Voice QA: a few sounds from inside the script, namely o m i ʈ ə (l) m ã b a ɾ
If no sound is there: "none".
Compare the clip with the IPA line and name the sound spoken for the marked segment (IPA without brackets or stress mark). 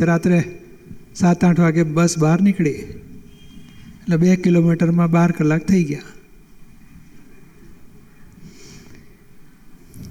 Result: ɾ